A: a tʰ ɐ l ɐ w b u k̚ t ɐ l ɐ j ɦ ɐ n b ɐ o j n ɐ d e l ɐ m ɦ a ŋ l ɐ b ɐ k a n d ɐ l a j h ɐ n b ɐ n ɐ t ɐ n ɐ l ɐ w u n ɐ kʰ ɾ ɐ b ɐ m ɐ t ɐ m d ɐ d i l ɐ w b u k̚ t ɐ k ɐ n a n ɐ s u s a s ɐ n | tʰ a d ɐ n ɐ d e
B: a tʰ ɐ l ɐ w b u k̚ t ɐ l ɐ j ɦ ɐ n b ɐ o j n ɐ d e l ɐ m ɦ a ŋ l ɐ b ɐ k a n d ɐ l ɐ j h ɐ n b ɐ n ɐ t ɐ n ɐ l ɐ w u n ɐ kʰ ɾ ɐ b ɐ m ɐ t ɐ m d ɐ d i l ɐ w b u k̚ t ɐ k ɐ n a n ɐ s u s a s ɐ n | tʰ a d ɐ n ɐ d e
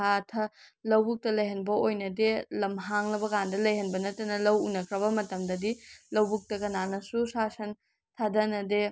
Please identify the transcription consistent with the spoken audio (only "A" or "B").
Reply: B